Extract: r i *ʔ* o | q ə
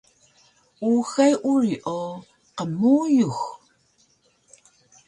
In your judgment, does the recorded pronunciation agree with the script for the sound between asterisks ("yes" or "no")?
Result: yes